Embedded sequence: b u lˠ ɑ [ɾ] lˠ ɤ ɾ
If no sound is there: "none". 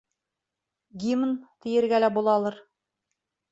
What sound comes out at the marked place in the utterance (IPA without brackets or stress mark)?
none